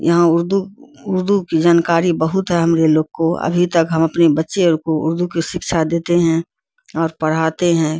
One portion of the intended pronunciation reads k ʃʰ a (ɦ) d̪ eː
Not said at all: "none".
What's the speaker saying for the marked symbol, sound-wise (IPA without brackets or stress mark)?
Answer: none